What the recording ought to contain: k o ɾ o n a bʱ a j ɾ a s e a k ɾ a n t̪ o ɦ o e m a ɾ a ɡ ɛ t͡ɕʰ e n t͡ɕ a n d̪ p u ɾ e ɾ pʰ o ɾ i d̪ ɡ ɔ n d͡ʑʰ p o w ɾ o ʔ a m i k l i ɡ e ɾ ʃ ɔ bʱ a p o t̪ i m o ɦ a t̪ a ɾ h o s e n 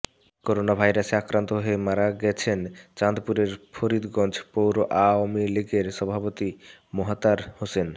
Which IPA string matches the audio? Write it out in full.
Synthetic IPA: k o ɾ o n a bʱ a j ɾ a s e a k ɾ a n t̪ o ɦ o e m a ɾ a ɡ ɛ t͡ɕʰ e n t͡ɕ a n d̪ p u ɾ e ɾ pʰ o ɾ i d̪ ɡ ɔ n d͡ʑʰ p o w ɾ o ʔ a m i l i ɡ e ɾ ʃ ɔ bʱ a p o t̪ i m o ɦ a t̪ a ɾ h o s e n